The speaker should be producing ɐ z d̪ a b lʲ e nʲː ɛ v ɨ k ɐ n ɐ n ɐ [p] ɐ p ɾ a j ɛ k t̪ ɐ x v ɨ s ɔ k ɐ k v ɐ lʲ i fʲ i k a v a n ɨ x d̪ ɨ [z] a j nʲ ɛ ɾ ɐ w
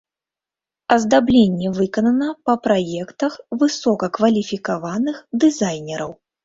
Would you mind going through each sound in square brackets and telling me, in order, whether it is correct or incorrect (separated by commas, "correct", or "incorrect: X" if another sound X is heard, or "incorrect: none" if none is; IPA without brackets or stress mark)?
correct, correct